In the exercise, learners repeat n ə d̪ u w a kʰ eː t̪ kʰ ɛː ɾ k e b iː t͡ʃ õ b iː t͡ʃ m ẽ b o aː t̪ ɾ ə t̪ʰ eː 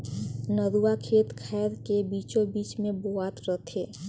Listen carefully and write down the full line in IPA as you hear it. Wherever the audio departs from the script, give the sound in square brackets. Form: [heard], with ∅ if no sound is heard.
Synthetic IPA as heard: n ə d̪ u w a kʰ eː t̪ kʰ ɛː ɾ k e b iː t͡ʃ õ b iː t͡ʃ m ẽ b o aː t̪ ɾ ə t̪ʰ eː